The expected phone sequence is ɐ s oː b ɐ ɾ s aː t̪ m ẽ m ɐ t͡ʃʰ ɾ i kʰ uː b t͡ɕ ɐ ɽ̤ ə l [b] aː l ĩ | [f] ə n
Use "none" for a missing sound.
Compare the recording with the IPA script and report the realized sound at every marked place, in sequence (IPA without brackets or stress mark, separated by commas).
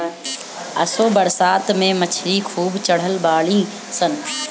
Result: b, s